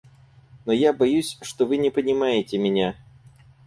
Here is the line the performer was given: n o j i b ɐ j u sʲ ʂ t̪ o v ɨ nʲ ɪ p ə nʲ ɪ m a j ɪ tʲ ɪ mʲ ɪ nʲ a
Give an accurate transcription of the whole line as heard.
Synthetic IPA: n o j a b ɐ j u sʲ ʂ t̪ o v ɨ nʲ ɪ p ə nʲ ɪ m a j ɪ tʲ ɪ mʲ ɪ nʲ a